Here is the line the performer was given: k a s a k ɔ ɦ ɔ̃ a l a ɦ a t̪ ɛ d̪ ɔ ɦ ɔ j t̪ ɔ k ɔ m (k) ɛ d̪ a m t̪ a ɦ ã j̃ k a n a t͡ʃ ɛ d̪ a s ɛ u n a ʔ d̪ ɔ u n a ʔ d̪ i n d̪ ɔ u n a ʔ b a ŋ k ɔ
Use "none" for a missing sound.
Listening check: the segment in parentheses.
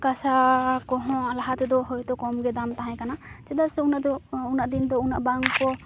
ɡ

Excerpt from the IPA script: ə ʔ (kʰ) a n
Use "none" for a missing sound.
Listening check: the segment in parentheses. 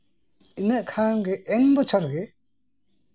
kʰ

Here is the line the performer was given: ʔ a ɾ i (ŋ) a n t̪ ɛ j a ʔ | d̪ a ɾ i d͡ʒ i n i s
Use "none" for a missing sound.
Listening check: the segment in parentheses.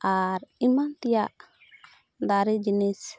m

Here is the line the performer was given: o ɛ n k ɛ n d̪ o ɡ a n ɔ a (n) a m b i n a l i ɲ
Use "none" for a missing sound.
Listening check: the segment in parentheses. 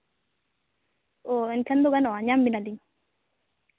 ɲ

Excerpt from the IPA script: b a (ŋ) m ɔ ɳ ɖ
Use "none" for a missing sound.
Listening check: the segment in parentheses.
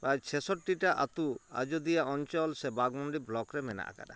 ɡ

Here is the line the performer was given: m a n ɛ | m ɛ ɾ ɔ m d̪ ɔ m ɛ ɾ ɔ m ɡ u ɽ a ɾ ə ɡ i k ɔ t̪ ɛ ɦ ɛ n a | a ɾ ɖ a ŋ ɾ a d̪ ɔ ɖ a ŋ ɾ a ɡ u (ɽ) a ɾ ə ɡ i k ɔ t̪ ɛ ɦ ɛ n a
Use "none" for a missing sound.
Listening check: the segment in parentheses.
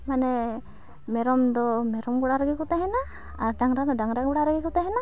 ɽ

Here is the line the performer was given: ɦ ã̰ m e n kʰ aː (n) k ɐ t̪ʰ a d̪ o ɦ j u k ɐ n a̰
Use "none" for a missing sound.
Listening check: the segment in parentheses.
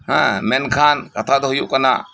n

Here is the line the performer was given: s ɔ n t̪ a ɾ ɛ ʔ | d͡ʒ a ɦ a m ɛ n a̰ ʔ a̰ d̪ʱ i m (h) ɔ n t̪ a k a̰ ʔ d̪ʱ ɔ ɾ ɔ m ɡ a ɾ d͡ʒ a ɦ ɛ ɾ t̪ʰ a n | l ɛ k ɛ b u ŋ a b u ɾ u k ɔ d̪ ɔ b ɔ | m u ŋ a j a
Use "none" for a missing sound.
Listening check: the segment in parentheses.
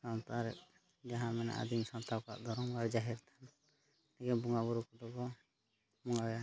s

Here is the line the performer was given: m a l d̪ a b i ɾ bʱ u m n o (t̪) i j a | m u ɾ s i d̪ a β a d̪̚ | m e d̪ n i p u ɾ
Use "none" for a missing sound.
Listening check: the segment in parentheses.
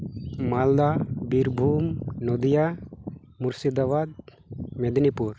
d̪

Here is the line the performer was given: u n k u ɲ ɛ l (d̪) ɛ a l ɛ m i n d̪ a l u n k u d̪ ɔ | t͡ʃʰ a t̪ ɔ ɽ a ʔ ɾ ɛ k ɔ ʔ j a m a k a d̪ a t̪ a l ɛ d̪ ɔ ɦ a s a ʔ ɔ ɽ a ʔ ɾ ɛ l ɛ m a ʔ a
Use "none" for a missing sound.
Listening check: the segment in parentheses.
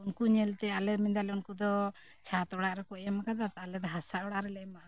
t̪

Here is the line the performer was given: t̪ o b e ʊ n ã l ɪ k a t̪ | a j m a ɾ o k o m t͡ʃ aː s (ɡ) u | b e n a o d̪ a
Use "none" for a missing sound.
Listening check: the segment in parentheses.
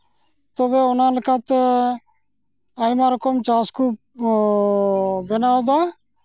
k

